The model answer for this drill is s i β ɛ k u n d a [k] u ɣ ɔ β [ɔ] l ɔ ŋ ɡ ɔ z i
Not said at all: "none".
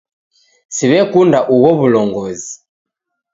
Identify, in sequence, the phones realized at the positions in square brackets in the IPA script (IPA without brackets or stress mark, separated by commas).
ʔ, u